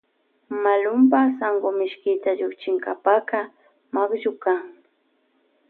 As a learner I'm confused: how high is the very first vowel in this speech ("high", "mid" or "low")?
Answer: low